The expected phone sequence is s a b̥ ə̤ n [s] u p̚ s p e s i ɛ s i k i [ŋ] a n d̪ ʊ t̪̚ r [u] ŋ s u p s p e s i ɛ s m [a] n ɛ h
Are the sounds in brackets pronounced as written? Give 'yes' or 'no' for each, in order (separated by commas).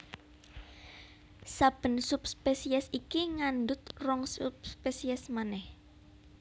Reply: yes, yes, no, yes